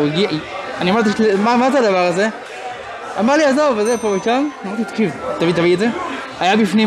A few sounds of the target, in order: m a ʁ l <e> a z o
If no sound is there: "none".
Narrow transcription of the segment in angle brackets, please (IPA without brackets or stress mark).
i